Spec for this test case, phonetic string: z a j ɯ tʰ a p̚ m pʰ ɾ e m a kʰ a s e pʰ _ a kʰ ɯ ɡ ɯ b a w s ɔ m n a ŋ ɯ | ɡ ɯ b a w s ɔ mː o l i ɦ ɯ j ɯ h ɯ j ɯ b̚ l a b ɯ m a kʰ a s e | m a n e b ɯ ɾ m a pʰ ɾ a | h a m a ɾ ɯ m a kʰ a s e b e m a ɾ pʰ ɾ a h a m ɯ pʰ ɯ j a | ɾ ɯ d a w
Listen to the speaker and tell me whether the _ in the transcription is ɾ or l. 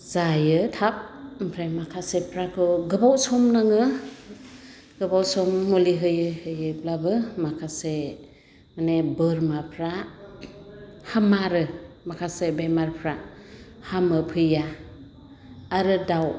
ɾ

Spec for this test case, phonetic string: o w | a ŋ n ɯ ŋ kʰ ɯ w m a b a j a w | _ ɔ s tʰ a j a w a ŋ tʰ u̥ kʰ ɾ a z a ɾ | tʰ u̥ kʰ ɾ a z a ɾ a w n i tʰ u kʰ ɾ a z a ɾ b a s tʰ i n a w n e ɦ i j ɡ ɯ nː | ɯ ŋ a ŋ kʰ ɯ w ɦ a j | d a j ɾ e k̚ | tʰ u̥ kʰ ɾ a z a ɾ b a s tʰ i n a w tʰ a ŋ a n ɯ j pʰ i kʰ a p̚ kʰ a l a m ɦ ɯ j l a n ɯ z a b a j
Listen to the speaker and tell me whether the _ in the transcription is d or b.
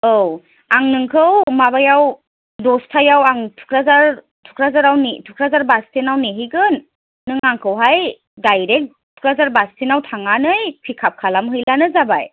d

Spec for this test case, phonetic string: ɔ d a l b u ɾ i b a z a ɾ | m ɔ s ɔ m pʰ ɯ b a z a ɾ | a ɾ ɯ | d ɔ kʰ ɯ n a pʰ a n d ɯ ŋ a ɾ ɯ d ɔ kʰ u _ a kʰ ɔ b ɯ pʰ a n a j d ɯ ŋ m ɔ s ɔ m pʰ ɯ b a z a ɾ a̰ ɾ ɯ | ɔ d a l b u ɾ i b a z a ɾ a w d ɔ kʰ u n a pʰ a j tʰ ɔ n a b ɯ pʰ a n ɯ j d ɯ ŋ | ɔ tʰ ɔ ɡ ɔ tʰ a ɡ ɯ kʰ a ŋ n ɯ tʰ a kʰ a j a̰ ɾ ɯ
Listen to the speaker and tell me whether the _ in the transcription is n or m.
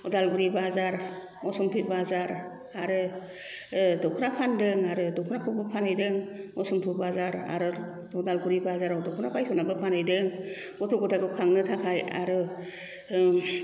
n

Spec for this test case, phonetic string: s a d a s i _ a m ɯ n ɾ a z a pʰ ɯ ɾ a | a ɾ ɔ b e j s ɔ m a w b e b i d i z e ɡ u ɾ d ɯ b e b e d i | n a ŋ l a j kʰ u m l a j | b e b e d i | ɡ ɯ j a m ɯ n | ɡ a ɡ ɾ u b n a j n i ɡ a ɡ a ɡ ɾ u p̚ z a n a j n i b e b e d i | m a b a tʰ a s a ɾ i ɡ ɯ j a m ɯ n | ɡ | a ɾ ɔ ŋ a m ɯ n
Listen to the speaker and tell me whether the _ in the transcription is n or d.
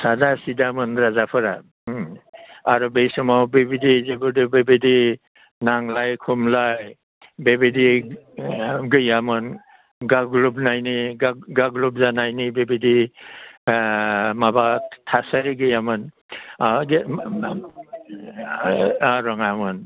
d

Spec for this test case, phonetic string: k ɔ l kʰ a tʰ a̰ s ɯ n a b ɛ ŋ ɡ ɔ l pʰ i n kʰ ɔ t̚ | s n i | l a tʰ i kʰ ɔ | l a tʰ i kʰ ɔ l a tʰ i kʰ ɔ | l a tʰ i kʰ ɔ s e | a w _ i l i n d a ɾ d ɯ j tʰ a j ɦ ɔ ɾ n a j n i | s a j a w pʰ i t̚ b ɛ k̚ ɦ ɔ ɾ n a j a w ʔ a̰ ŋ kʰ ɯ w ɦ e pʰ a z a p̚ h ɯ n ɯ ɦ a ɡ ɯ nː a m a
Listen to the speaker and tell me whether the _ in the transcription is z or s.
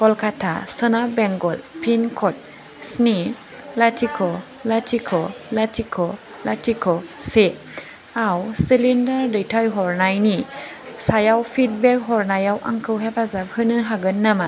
s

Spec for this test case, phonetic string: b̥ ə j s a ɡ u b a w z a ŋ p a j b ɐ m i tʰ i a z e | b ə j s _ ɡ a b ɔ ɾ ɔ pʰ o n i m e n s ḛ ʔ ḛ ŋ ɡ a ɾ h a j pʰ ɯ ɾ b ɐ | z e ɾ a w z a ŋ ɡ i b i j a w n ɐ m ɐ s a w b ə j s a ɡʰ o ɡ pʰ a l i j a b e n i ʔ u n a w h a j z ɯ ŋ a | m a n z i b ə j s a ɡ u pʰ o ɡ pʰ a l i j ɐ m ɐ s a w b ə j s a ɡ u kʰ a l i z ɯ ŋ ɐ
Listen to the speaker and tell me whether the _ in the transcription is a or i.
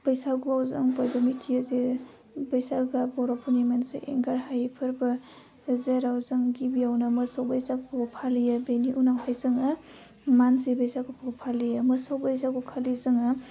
a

